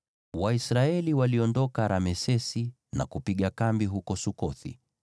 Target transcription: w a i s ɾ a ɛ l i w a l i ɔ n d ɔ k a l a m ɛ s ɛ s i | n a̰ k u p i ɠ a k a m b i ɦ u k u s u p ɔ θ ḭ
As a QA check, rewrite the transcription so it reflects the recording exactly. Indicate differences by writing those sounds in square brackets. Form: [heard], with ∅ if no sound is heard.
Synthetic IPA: w a i s ɾ a ɛ l i w a l i ɔ n d ɔ k a [ɾ] a m ɛ s ɛ s i | n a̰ k u p i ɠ a k a m b i ɦ u k [ɔ] s u [k] ɔ θ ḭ